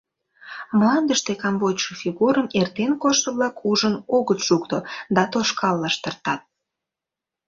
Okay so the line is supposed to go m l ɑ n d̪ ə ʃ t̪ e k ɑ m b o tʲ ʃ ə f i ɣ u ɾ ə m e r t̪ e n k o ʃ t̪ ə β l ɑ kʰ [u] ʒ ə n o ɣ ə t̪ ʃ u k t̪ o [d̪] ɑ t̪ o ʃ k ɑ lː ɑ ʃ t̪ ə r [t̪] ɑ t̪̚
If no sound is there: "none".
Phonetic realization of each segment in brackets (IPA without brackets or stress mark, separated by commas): u, d̪, t̪